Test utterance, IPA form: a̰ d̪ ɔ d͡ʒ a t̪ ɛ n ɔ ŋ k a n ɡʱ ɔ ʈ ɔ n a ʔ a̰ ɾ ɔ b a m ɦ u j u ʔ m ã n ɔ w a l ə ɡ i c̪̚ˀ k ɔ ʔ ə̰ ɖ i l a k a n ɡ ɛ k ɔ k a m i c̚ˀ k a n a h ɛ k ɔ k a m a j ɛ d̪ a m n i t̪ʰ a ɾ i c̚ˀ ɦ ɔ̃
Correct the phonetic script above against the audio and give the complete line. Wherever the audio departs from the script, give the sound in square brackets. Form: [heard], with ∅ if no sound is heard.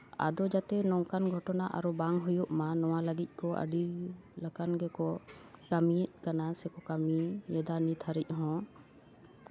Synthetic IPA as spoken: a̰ d̪ ɔ d͡ʒ a t̪ ɛ n ɔ ŋ k a n ɡʱ ɔ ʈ ɔ n a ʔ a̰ ɾ ɔ b a [ŋ] ɦ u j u ʔ m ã n ɔ w a l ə ɡ i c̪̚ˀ k ɔ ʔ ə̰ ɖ i l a k a n ɡ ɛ k ɔ k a m i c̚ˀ k a n a [s] ɛ k ɔ k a m [i] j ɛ d̪ a [∅] n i t̪ʰ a ɾ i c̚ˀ ɦ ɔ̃

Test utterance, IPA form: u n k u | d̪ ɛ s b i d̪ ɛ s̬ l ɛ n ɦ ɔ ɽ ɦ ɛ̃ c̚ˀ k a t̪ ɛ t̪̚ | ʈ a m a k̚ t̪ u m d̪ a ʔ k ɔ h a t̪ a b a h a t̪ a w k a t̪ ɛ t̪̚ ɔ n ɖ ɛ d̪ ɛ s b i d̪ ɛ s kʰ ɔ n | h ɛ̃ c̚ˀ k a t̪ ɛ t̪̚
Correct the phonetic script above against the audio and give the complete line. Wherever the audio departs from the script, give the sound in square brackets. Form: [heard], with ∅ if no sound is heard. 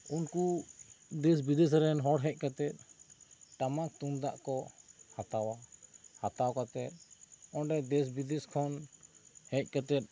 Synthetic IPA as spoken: u n k u | d̪ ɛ s b i d̪ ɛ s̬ [ɾ] ɛ n ɦ ɔ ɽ ɦ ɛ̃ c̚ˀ k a t̪ ɛ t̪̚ | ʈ a m a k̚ t̪ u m d̪ a ʔ k ɔ h a t̪ a [w] a h a t̪ a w k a t̪ ɛ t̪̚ ɔ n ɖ ɛ d̪ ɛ s b i d̪ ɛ s kʰ ɔ n | h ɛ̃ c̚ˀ k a t̪ ɛ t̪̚

